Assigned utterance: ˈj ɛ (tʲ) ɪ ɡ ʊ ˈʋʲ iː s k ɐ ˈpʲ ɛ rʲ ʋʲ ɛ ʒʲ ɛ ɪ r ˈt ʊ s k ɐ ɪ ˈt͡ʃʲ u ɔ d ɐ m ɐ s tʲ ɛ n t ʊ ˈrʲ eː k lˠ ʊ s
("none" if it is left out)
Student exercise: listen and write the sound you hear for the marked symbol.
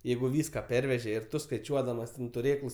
none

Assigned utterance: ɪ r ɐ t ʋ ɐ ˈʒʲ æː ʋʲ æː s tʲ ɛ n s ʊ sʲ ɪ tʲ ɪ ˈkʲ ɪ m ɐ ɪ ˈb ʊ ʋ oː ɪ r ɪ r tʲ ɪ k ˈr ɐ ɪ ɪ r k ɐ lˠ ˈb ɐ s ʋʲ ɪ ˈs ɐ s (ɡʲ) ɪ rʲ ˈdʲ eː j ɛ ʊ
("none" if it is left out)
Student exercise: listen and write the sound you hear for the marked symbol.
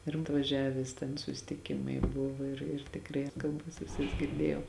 ɡʲ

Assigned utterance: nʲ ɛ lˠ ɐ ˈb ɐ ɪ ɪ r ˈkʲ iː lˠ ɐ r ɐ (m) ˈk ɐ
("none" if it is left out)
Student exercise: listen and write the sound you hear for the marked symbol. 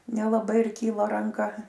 ŋ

